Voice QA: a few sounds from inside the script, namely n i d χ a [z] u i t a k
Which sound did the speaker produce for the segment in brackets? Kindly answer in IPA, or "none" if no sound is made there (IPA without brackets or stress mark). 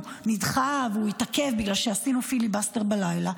v